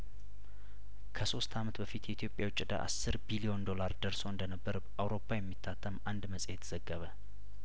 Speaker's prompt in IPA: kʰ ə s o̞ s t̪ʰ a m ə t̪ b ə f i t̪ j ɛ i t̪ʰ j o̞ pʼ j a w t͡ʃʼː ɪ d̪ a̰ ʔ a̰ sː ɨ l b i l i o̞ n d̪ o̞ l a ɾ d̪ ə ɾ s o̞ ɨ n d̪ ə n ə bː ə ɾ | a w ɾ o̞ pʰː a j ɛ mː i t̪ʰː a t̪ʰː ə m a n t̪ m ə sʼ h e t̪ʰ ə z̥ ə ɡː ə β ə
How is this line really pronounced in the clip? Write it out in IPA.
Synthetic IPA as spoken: kʰ ə s o̞ s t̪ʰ a m ə t̪ b ə f i t̪ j ɛ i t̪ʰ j o̞ pʼ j a w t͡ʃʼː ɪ d̪ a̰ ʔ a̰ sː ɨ ɾ b i l i o̞ n d̪ o̞ l a ɾ d̪ ə ɾ s o̞ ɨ n d̪ ə n ə bː ə ɾ | a w ɾ o̞ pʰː a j ɛ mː i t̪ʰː a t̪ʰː ə m a n d̪ m ə sʼ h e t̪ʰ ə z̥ ə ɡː ə β ə